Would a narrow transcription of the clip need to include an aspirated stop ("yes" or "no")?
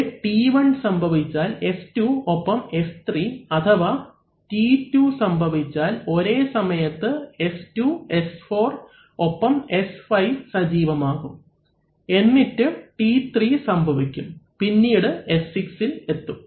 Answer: yes